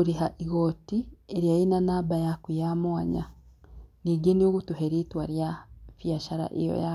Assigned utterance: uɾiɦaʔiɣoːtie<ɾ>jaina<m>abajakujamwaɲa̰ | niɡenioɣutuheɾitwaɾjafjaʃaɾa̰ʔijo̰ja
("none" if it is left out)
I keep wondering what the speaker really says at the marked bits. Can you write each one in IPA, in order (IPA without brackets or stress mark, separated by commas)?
ɾ, n